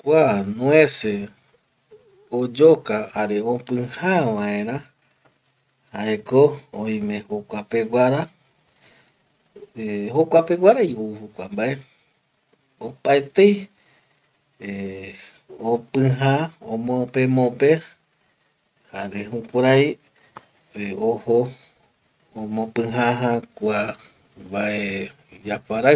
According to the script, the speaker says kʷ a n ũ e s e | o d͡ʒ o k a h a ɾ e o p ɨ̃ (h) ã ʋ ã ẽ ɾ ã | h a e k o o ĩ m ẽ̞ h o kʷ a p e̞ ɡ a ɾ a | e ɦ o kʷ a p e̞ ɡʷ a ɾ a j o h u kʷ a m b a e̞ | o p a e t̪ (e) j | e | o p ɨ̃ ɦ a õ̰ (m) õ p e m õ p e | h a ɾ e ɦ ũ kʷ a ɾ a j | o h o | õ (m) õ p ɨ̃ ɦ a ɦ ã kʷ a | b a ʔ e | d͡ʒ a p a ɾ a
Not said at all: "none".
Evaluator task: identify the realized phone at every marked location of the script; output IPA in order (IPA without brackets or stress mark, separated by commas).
h, e, m, m